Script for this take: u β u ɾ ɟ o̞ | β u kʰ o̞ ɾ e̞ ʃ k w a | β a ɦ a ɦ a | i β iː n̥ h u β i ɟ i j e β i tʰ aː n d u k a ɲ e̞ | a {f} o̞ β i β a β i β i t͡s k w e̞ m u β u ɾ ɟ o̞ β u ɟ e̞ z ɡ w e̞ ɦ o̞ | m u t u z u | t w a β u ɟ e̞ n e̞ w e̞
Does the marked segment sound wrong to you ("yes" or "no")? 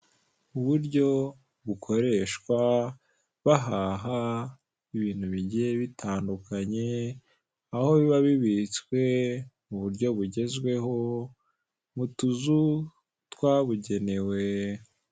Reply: yes